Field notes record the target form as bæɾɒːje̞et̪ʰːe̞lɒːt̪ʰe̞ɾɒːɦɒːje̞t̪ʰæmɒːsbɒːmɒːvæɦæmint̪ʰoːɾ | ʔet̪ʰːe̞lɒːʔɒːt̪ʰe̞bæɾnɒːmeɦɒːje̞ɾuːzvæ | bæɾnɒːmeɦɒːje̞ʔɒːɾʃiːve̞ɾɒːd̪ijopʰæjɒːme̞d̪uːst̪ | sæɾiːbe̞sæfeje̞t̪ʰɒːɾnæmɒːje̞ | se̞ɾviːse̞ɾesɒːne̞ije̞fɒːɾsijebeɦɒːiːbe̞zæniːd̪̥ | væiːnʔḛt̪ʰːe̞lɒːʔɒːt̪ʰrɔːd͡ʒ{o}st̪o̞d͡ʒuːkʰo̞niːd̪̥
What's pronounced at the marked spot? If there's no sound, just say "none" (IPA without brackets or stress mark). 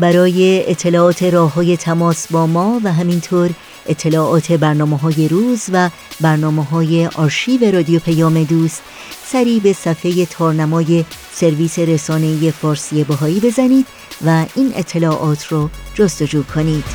o